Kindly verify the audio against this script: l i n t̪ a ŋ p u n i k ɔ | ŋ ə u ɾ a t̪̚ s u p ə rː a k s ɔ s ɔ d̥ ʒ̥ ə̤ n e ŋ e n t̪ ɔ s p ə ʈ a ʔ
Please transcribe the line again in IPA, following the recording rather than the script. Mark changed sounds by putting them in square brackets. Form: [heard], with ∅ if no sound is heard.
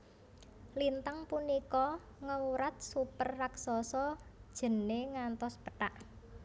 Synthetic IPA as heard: l i n t̪ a ŋ p u n i k ɔ | ŋ ə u ɾ a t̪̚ s u p ə rː a k s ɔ s ɔ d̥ ʒ̥ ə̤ n e ŋ [a] n t̪ ɔ s p ə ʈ a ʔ